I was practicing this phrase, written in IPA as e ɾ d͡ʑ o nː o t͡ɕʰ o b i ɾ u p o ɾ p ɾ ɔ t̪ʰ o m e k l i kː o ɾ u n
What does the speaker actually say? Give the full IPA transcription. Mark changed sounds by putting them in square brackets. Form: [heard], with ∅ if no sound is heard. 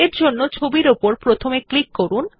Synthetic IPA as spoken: e ɾ d͡ʑ o nː o t͡ɕʰ o b i ɾ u p o ɾ p ɾ [o] t̪ʰ o m e k l i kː o ɾ u n

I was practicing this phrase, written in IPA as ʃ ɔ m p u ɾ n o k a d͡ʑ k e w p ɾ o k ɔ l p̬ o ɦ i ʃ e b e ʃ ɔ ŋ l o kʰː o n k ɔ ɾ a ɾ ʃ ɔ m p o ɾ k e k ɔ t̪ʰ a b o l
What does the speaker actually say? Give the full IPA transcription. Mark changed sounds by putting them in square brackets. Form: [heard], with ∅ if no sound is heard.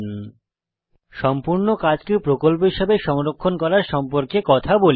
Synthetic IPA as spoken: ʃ ɔ m p u ɾ n o k a d͡ʑ k e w p ɾ o k [o] l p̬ o ɦ i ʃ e b e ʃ ɔ ŋ [ɾ] o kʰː o n k ɔ ɾ a ɾ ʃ ɔ m p o ɾ k e k ɔ t̪ʰ a b o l

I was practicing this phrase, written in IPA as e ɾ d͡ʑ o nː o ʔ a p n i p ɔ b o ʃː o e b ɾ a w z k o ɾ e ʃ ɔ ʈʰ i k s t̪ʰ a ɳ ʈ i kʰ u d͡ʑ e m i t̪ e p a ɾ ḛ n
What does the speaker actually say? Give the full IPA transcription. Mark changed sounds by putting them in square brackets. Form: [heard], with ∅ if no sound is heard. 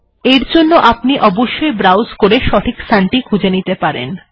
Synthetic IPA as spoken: e ɾ d͡ʑ o nː o ʔ a p n i [ʔ] ɔ b o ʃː o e b ɾ a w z k o ɾ e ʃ ɔ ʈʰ i k s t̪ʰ a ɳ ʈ i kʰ u d͡ʑ e [n] i t̪ e p a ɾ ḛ n

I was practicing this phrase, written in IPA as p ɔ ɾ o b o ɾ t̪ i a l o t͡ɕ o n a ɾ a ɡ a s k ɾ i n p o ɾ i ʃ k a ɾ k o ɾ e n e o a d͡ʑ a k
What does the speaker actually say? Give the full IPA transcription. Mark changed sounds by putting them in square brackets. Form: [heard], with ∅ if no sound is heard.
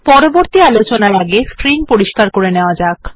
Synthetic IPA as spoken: p ɔ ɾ o b o ɾ t̪ i a l o t͡ɕ o n a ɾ a ɡ [e] s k ɾ i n p o ɾ i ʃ k a ɾ k o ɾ e n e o a d͡ʑ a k

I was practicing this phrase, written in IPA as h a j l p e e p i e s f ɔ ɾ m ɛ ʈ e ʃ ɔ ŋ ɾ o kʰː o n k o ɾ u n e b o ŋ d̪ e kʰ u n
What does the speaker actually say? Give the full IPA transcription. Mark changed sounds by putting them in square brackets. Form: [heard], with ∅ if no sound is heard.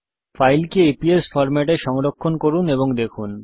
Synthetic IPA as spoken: [f] a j l [k] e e p i e s f ɔ ɾ m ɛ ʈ e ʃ ɔ ŋ ɾ o kʰː o n k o ɾ u n e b o ŋ d̪ e kʰ u n

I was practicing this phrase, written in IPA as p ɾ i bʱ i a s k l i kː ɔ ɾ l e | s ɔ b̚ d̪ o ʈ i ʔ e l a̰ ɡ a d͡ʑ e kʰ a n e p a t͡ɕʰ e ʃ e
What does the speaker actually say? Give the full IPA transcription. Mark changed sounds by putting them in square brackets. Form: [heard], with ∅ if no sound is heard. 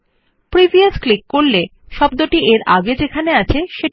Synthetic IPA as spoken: p ɾ i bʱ i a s k l i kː [o] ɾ l e | [ʃ] ɔ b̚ d̪ o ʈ i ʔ e [ɾ] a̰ ɡ [e] d͡ʑ e kʰ a n e [∅] a t͡ɕʰ e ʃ e

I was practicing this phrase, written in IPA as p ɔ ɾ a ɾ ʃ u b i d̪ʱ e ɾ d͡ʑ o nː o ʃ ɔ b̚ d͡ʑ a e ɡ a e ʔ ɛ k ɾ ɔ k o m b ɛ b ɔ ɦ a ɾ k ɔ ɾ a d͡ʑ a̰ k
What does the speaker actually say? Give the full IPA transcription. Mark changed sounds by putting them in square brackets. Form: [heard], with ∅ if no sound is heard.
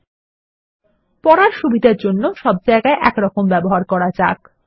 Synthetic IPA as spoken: p ɔ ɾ a ɾ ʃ u b i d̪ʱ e ɾ d͡ʑ o nː o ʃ ɔ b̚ d͡ʑ a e ɡ a e ʔ ɛ k ɾ ɔ k o m b ɛ b [o] ɦ a ɾ k ɔ ɾ a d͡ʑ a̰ k

